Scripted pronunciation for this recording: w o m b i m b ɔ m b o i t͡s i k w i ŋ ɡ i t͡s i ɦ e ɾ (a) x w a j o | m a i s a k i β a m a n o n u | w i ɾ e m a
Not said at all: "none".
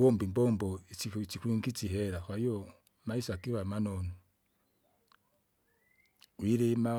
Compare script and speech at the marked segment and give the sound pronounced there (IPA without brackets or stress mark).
a